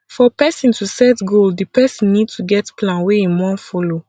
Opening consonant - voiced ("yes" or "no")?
no